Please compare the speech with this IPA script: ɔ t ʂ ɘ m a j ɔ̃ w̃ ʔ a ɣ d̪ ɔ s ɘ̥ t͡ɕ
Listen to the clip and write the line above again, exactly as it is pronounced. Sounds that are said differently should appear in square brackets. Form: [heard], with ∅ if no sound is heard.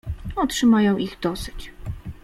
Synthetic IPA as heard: ɔ t ʂ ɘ m a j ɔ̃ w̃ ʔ [i] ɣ d̪ ɔ s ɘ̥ t͡ɕ